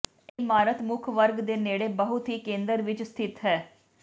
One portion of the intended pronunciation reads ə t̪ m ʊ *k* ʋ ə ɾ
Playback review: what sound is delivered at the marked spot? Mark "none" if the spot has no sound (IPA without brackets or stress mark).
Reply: kʰ